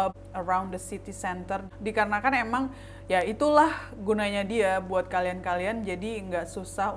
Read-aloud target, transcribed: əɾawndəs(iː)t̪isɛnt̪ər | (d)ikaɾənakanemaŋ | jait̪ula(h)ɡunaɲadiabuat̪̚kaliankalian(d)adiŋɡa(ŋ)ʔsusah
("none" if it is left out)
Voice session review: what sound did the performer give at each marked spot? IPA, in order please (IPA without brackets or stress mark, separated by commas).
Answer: i, d, h, d͡ʒ, none